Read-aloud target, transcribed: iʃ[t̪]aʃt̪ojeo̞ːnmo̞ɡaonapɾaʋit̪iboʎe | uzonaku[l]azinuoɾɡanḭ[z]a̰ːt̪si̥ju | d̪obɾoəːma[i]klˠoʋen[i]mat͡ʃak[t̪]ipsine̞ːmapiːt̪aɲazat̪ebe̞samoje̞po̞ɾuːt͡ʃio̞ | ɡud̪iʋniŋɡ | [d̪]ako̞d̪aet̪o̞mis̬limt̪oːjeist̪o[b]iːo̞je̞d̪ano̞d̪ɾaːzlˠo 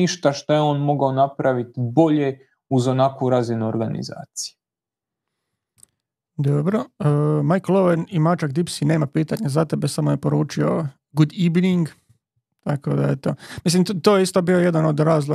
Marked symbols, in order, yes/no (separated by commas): yes, no, yes, no, yes, no, no, yes